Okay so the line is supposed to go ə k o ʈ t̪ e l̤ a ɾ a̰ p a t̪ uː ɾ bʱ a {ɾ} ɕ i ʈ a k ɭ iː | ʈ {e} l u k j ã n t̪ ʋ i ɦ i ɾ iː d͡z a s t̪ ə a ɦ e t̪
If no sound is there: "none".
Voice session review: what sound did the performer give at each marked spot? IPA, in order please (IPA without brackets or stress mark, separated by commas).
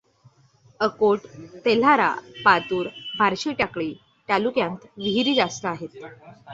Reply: ɾ, a